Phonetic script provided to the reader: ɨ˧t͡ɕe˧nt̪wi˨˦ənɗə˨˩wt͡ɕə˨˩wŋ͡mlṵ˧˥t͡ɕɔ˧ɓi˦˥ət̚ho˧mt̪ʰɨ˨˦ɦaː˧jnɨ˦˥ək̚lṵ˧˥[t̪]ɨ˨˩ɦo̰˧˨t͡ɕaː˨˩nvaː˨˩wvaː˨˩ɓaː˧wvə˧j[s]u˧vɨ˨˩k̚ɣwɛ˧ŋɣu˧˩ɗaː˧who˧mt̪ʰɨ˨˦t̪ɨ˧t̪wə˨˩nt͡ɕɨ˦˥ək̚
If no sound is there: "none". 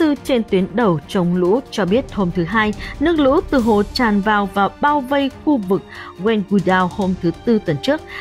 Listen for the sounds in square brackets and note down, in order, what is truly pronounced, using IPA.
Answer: t̪, x

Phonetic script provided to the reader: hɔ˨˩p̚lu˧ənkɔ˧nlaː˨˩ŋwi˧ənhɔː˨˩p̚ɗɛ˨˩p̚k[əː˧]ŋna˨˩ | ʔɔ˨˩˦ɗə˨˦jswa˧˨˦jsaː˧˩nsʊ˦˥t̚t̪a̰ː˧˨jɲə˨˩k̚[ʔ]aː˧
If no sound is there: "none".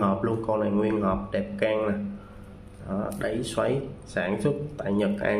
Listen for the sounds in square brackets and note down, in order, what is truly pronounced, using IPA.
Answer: aː˧, ʔ

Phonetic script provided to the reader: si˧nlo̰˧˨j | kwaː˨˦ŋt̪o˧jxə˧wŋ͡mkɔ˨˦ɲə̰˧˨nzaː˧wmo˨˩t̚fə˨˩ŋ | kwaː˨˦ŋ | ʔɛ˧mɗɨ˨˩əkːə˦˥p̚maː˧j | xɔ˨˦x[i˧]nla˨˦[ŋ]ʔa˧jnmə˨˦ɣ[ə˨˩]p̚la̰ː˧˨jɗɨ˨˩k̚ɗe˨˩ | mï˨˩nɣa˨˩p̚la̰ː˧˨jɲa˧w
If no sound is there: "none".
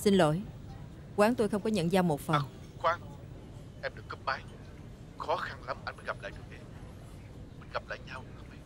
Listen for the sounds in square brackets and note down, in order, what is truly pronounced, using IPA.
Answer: a˧, m, a˨˩

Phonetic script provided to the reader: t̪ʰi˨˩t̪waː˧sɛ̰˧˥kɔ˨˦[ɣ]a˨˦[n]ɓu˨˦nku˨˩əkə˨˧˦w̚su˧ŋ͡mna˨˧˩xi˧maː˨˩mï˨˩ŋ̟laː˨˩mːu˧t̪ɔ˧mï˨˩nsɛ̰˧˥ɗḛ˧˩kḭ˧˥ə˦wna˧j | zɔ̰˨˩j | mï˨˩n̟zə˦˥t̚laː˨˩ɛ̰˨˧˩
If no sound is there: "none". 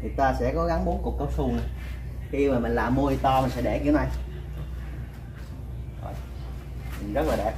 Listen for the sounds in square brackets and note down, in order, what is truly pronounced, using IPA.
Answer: ɣ, ŋ

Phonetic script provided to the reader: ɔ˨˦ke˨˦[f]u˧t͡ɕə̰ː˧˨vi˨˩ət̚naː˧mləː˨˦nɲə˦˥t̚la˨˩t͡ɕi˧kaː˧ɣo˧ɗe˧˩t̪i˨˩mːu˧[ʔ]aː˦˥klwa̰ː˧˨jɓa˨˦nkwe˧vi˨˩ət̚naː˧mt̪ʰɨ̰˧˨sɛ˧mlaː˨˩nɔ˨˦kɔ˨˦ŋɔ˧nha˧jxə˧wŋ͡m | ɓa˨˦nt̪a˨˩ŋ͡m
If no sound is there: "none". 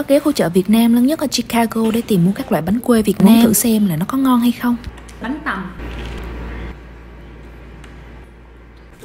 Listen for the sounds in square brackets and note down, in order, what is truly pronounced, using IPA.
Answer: x, k

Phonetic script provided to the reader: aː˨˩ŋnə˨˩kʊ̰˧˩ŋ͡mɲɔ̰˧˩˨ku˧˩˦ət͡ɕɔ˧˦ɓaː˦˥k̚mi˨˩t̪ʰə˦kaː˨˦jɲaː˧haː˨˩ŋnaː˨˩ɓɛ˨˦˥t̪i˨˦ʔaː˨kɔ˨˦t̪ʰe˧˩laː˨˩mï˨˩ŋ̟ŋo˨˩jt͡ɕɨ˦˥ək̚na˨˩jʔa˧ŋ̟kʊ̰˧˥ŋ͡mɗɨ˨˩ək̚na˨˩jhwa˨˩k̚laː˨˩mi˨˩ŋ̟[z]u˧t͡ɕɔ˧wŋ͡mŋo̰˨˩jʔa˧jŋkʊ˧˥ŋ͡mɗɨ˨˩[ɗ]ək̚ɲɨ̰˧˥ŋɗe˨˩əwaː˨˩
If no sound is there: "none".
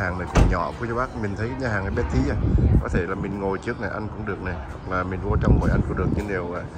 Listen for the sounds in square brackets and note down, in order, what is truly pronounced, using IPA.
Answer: v, none

